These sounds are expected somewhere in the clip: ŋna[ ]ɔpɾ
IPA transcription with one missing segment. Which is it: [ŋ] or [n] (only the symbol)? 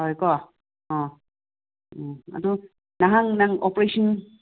ŋ